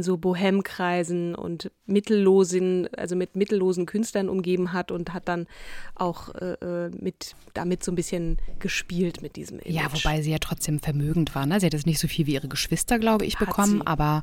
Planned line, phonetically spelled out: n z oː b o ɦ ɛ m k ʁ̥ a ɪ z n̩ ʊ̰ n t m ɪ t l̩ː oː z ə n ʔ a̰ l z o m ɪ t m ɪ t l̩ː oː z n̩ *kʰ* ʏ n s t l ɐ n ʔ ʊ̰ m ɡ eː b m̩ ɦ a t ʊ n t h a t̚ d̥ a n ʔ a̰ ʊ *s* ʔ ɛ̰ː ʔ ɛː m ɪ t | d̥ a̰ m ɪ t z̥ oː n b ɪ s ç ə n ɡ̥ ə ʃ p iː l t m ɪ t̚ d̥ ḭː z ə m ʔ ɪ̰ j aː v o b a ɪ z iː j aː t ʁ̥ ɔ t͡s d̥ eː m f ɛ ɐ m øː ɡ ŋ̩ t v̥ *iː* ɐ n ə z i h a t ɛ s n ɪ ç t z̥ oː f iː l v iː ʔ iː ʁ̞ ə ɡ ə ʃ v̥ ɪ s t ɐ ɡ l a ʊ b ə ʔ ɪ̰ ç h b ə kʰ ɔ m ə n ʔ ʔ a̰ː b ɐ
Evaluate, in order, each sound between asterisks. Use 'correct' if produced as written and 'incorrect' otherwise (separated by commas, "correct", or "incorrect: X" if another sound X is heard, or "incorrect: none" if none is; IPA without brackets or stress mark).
correct, incorrect: x, incorrect: aː